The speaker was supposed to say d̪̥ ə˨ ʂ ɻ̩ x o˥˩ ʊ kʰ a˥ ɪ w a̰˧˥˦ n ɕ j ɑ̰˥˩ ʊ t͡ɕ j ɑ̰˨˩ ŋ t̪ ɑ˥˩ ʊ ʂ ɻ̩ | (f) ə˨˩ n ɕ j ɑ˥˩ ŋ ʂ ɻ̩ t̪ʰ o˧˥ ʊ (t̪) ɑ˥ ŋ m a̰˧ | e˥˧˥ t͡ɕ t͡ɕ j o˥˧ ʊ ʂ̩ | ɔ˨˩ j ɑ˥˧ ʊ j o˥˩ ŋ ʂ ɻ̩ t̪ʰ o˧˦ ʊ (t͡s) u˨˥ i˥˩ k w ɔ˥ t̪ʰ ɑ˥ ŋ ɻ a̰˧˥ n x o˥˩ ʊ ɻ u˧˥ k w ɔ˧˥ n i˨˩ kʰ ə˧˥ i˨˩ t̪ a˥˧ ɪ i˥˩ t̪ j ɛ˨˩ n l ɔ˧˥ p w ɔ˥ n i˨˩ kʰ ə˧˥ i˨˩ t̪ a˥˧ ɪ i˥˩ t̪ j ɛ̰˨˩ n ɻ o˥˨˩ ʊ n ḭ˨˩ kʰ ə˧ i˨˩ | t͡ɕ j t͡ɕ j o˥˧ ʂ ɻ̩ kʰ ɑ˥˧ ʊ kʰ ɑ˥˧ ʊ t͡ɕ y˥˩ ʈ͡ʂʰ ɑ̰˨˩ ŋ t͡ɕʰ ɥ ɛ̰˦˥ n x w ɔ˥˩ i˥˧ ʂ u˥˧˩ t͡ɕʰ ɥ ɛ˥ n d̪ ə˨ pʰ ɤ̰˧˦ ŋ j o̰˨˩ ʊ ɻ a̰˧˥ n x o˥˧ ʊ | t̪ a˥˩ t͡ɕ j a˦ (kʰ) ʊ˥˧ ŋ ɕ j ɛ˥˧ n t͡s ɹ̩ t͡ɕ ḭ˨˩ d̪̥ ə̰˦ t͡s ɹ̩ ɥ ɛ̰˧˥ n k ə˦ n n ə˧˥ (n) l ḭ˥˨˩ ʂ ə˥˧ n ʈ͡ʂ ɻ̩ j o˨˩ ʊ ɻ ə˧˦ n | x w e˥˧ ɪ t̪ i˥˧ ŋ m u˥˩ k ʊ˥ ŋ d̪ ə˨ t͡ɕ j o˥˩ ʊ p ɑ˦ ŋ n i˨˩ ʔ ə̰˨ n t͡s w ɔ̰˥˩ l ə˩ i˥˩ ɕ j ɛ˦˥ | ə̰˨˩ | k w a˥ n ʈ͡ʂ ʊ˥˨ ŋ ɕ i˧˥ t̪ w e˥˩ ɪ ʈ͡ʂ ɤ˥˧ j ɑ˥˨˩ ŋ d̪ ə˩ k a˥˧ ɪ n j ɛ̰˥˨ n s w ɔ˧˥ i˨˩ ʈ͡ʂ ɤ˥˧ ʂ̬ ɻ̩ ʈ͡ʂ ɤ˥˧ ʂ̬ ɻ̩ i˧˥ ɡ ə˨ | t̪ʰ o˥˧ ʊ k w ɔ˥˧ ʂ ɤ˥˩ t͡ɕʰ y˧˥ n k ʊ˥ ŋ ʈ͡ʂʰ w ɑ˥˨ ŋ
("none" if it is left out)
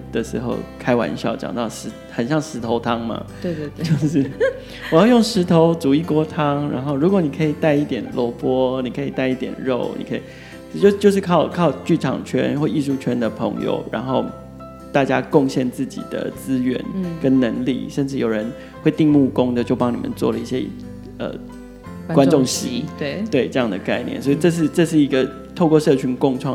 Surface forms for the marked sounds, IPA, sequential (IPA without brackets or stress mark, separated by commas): x, t̪ʰ, t͡s, k, ŋ